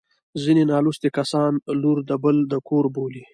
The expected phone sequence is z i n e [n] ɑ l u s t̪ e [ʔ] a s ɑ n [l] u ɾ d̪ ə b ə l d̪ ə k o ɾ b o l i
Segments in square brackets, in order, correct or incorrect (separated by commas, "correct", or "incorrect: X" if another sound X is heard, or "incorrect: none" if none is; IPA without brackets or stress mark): correct, incorrect: k, correct